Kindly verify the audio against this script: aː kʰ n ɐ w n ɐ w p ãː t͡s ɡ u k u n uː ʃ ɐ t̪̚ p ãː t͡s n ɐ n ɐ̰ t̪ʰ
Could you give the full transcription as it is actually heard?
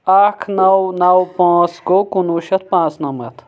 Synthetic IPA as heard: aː kʰ n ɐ w n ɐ w p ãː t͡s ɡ o k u n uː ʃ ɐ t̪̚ p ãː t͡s n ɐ m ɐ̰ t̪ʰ